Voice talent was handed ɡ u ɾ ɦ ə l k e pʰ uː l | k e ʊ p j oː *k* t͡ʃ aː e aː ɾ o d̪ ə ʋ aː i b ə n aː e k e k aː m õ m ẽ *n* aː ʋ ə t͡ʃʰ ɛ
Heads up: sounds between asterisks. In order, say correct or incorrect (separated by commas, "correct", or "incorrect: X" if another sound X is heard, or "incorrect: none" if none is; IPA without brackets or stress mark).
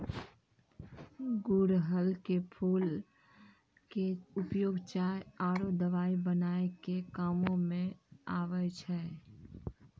incorrect: ɡ, incorrect: none